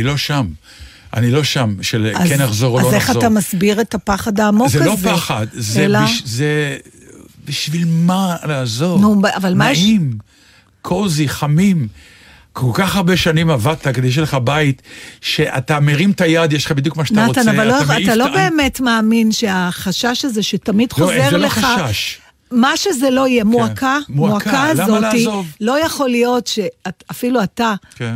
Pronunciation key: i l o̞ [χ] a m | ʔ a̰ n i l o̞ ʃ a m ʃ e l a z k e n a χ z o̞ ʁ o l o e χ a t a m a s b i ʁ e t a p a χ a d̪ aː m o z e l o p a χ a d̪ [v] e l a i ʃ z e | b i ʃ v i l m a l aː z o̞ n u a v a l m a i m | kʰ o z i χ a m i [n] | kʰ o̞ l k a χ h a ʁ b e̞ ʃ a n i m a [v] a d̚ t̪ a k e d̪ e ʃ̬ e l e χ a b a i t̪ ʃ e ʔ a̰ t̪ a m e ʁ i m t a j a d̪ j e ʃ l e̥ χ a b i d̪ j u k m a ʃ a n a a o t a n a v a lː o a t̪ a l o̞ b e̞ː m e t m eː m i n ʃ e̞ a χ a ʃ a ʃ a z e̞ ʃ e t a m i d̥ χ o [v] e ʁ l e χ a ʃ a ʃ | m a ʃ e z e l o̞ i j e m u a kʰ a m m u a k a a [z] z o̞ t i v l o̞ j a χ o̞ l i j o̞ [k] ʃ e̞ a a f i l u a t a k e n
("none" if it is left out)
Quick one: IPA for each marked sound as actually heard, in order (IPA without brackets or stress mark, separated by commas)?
ʃ, z, m, v, z, z, t